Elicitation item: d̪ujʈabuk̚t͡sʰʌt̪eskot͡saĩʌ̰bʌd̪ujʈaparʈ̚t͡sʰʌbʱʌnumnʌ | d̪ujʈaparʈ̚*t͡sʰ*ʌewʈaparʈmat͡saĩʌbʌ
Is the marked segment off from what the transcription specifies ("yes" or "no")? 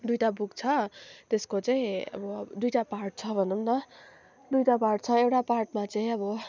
no